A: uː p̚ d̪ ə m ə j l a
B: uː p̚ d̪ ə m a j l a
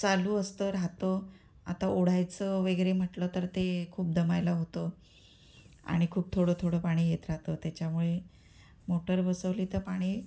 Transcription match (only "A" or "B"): B